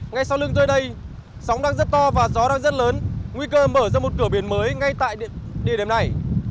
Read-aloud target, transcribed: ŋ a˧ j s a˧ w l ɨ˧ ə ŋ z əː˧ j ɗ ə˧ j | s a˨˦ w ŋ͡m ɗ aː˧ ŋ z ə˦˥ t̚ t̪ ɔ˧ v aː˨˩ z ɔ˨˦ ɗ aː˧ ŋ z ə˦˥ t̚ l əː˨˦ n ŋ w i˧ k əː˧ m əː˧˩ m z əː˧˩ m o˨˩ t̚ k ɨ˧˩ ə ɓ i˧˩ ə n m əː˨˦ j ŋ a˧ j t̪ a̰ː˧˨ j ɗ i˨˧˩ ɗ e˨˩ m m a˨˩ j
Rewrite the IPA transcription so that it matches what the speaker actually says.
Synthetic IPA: ŋ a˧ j s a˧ w l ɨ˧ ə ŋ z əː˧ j ɗ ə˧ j | s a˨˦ w ŋ͡m ɗ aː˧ ŋ z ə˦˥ t̚ t̪ ɔ˧ v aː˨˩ z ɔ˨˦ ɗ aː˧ ŋ z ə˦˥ t̚ l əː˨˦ n ŋ w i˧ k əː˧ m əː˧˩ z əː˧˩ m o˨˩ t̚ k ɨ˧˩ ə ɓ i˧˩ ə n m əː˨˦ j ŋ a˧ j t̪ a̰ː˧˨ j ɗ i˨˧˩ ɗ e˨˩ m n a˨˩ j